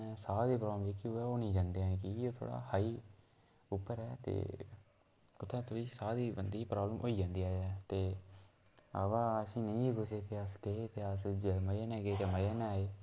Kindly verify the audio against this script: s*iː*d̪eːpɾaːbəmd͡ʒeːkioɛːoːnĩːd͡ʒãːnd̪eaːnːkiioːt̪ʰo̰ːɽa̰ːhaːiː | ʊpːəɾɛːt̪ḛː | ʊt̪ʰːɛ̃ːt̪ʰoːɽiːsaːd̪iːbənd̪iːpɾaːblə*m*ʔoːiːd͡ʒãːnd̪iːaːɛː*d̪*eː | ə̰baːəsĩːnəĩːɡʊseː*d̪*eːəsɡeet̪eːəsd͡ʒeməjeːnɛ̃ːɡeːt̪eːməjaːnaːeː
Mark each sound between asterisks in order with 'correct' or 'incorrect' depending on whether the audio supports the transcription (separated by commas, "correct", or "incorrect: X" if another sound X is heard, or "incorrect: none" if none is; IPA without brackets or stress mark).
incorrect: aː, correct, incorrect: t̪, incorrect: t̪